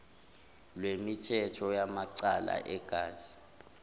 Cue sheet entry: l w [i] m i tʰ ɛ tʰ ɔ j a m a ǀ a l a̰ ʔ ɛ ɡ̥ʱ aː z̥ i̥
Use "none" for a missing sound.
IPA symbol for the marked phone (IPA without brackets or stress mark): e